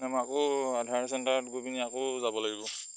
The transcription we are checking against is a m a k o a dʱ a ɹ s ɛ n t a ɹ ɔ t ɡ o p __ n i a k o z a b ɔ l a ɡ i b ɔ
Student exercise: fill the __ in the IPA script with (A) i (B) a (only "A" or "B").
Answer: A